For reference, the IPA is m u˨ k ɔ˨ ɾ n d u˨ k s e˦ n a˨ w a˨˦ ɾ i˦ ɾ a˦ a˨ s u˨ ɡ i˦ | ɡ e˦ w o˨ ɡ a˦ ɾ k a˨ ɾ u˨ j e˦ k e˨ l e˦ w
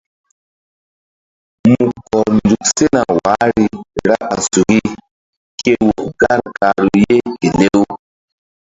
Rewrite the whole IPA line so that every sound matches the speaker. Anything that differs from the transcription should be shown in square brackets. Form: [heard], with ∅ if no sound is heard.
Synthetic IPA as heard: m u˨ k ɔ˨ ɾ n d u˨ k s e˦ n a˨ w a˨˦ ɾ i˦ ɾ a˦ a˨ s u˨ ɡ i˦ | [k] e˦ w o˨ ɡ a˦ ɾ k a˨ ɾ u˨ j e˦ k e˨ l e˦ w